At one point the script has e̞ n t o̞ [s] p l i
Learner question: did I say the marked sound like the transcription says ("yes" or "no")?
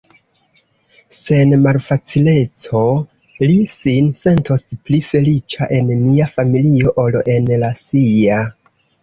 yes